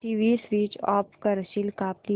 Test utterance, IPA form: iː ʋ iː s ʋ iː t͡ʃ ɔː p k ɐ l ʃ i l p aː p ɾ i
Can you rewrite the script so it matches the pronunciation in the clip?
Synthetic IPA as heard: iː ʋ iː s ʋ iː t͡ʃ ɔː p k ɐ ɾ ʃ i l k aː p l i